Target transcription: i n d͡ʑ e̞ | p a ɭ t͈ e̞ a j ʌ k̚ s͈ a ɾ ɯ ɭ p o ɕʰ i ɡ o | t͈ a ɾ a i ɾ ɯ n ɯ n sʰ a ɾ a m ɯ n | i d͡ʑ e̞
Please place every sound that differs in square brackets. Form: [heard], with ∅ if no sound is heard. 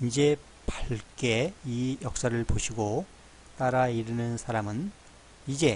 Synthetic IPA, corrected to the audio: i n d͡ʑ e̞ | p a ɭ [k͈] e̞ [i] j ʌ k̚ s͈ a ɾ ɯ ɭ p o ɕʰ i ɡ o | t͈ a ɾ a i ɾ ɯ n ɯ n sʰ a ɾ a m ɯ n | i d͡ʑ e̞

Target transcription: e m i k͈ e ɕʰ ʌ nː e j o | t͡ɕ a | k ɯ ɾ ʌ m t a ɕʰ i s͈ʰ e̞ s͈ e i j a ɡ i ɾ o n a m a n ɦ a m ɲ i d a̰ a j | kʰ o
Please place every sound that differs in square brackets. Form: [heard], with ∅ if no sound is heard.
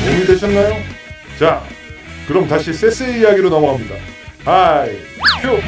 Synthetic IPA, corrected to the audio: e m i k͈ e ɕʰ ʌ nː [a] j o | t͡ɕ a | k ɯ ɾ ʌ m t a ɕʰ i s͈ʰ e̞ s͈ e i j a ɡ i ɾ o n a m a [∅] ɦ a m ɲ i d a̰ a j | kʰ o

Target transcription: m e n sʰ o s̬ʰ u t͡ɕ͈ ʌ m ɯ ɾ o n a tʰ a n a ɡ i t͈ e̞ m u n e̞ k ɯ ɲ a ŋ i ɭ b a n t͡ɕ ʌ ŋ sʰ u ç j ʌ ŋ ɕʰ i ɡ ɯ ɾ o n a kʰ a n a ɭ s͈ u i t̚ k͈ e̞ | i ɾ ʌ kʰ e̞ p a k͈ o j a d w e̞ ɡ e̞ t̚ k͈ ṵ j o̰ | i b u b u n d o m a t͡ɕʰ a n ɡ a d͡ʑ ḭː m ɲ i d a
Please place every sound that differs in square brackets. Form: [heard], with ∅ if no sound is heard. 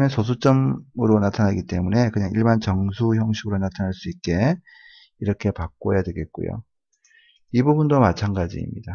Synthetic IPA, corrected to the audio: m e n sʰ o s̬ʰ u t͡ɕ͈ ʌ m ɯ ɾ o n a tʰ a n a ɡ i t͈ e̞ m u n e̞ k ɯ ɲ a ŋ i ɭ b a n t͡ɕ ʌ ŋ sʰ u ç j ʌ ŋ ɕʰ i ɡ ɯ ɾ o n a [tʰ] a n a ɭ s͈ u i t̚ k͈ e̞ | i ɾ ʌ kʰ e̞ p a k͈ o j a d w e̞ ɡ e̞ t̚ k͈ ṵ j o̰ | i b u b u n d o m a t͡ɕʰ a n ɡ a d͡ʑ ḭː m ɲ i d a

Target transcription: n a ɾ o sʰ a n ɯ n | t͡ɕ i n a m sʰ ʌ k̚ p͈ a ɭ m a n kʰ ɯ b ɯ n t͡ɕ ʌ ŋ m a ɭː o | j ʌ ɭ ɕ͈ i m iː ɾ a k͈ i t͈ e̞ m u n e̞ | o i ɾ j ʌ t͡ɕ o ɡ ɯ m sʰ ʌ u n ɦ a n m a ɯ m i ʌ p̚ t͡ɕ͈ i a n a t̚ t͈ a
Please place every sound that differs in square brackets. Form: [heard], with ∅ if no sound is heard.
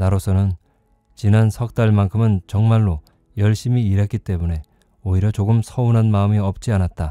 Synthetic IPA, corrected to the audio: n a ɾ o sʰ [ʌ] n ɯ n | t͡ɕ i n a [n] sʰ ʌ k̚ [t͈] a ɭ m a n kʰ ɯ [m] ɯ n t͡ɕ ʌ ŋ m a ɭː o | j ʌ ɭ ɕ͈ i m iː ɾ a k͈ i t͈ e̞ m u n e̞ | o i ɾ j ʌ t͡ɕ o ɡ ɯ m sʰ ʌ u n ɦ a n m a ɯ m i ʌ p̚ t͡ɕ͈ i a n a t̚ t͈ a

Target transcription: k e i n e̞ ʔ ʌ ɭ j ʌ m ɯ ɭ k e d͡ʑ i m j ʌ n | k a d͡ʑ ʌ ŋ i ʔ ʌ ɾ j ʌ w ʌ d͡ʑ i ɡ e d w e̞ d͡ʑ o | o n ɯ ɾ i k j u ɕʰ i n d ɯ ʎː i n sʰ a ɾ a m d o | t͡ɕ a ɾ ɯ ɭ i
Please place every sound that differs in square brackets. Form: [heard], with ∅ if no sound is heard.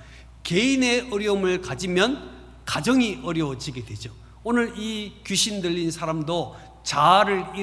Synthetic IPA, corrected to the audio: k e i n e̞ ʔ ʌ [ɾ] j ʌ m ɯ ɭ k [a] d͡ʑ i m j ʌ n | k a d͡ʑ ʌ ŋ i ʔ ʌ ɾ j ʌ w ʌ d͡ʑ i ɡ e d w e̞ d͡ʑ o | o n ɯ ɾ i k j u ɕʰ i n d ɯ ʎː i n sʰ a ɾ a m d o | t͡ɕ a ɾ ɯ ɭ i

